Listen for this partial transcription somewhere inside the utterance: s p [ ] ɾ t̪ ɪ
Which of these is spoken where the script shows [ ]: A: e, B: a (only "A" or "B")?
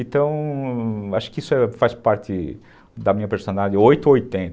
B